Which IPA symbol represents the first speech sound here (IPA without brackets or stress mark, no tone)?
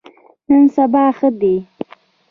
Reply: n